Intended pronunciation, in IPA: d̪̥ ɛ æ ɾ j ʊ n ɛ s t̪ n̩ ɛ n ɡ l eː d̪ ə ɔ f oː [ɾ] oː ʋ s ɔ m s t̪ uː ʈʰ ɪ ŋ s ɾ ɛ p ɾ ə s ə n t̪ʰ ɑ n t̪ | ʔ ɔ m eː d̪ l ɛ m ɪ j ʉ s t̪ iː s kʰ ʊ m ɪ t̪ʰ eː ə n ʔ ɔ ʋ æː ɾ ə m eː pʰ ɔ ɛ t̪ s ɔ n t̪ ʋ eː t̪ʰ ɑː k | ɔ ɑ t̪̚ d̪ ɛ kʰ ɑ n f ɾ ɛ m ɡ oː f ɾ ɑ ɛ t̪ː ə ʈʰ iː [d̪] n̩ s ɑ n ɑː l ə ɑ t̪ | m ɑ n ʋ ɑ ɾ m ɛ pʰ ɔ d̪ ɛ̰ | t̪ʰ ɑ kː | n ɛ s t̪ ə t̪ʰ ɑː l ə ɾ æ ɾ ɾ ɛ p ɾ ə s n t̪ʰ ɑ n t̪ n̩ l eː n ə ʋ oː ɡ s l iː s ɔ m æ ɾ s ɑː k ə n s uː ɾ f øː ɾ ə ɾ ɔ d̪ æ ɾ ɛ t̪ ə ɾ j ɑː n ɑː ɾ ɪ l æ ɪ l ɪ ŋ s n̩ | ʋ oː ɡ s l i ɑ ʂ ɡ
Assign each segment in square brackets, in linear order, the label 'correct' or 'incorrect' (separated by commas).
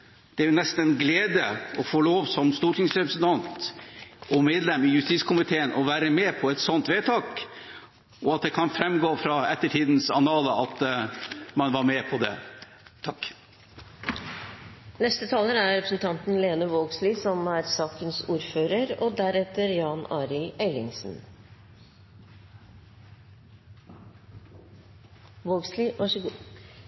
incorrect, correct